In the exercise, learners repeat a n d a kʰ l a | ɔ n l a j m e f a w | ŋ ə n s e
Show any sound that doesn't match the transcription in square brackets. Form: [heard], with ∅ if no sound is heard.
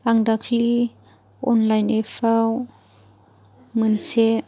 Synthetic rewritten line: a [ŋ] d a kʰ l [i] | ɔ n l a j [n] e f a w | [m] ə n s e